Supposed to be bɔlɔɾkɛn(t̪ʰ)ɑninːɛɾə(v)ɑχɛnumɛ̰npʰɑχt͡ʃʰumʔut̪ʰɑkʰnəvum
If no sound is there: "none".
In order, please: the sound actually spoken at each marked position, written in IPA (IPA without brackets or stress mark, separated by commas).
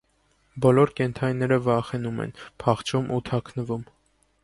t̪ʰ, v